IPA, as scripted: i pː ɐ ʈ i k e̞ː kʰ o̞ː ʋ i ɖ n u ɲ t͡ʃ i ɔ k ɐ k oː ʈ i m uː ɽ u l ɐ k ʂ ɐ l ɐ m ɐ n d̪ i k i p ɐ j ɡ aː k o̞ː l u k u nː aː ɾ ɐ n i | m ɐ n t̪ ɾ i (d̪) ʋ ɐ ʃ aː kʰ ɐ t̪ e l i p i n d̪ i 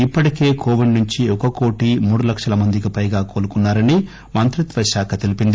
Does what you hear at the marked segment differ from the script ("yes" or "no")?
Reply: yes